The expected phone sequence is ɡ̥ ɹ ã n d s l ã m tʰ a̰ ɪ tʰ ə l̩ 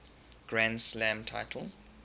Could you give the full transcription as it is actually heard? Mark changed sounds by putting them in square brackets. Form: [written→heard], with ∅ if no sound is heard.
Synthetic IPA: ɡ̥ ɹ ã n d s l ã m tʰ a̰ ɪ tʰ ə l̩